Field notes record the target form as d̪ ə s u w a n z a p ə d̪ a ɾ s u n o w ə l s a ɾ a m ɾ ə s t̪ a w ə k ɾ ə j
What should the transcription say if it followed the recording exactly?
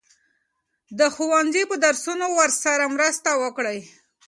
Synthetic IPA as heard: d̪ ə x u w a n z i p ə d̪ a ɾ s u n o w ə ɾ s a ɾ a m ɾ ə s t̪ a w ə k ɽ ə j

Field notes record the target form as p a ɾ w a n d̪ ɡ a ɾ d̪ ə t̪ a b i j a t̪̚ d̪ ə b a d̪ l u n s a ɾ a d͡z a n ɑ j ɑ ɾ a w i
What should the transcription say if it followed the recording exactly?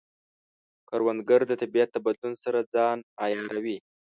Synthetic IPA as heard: k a ɾ w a n d̪ ɡ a ɾ d̪ ə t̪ a b i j a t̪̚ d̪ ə b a d̪ l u n s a ɾ a d͡z ɑ n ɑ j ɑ ɾ a w i

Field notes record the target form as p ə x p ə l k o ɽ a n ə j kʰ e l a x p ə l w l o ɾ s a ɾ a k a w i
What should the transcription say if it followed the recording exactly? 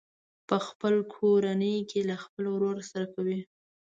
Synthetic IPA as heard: p ə x p ə l kʰ o ɾ a n ə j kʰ e l a x p ə l w ɾ o ɾ s a ɾ a k a w i

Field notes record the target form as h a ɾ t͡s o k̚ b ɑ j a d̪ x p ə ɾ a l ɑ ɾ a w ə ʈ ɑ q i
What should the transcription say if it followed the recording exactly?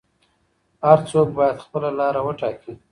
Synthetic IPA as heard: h a ɾ t͡s o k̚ b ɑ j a d̪ x p ə l a l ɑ ɾ a w ə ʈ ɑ k i

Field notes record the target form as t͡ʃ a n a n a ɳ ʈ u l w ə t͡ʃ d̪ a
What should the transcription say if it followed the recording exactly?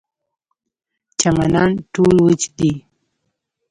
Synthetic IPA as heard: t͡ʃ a m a n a n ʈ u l w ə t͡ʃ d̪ i

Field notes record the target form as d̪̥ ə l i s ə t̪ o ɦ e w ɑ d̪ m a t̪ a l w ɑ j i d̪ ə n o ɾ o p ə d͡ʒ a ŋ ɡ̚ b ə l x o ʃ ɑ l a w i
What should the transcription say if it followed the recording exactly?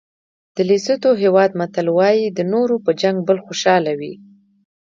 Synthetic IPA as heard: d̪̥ ə l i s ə t̪ o ɦ e w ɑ d̪ m a t̪ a l w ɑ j i d̪ ə n o ɾ o p ə d͡ʒ a ŋ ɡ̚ b ə l x o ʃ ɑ l a w i

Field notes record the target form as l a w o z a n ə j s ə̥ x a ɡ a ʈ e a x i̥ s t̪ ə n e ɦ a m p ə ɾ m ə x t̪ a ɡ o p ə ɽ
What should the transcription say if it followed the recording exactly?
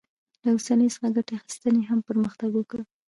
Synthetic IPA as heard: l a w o s a n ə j s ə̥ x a ɡ a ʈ e a x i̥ s t̪ ə n e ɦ a m p ə ɾ m ə x t̪ a ɡ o k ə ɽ

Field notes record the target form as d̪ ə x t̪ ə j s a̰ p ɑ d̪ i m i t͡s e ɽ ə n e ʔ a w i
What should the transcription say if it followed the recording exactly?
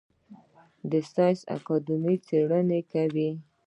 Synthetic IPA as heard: d̪ ə s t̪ ɑ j s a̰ k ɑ d̪ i m i t͡s e ɽ ə n e k a w i

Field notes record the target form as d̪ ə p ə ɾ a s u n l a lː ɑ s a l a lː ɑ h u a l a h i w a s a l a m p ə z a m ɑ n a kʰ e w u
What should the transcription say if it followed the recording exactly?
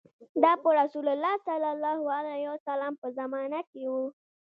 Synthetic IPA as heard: d̪ ɑ p ə ɾ a s u l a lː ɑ s a l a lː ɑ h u a l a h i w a s a l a m p ə z a m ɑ n a k e w u

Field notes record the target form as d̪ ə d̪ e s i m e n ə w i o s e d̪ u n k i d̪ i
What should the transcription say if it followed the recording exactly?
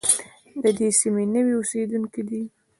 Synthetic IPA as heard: d̪ ə d̪ e s i m e n ə w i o s e d̪ u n k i d̪ i

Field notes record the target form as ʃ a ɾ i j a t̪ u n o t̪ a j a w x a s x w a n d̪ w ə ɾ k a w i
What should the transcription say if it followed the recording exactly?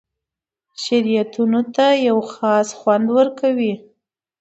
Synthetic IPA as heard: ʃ a ɾ i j a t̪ u n o t̪ a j a w x ɑ s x w a n d̪ w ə ɾ k a w i

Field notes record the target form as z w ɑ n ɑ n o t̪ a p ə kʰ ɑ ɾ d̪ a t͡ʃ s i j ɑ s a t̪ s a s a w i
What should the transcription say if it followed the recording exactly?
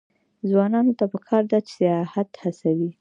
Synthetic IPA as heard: z w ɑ n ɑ n o t̪ a p ə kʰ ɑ ɾ d̪ a t͡ʃ s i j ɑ h a t̪ h a s a w i

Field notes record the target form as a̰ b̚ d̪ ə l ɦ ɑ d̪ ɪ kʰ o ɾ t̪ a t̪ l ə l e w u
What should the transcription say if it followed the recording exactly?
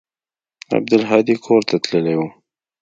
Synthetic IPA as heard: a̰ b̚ d̪ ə l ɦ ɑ d̪ i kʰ o ɾ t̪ a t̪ l ə l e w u

